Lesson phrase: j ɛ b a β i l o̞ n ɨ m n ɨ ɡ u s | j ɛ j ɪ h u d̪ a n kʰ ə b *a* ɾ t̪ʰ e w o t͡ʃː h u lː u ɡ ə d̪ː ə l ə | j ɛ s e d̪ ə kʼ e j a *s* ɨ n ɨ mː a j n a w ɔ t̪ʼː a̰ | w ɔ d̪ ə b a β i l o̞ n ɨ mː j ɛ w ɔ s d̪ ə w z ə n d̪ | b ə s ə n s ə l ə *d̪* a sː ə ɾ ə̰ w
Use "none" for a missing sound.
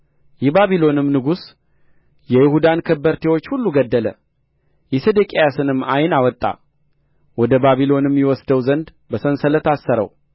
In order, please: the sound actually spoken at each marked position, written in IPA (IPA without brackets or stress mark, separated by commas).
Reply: ə, s, t̪